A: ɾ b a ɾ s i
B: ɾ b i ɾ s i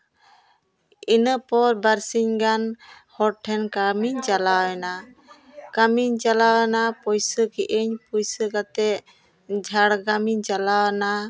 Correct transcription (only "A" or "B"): A